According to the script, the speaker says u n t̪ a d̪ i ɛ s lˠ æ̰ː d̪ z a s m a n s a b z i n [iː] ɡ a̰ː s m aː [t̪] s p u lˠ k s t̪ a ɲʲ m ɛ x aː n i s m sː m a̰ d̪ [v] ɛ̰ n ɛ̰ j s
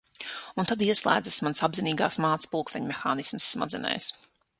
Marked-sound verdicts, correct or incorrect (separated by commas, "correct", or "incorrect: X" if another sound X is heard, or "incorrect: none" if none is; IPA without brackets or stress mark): correct, correct, incorrect: z